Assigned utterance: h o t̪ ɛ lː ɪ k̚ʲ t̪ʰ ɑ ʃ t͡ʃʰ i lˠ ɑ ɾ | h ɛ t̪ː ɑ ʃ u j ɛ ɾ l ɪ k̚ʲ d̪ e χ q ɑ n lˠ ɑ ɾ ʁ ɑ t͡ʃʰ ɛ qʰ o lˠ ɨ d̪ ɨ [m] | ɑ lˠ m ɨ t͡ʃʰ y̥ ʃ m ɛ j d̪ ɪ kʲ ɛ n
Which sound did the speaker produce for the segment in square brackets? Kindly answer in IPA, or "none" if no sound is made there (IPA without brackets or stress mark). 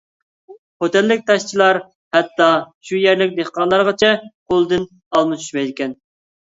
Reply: n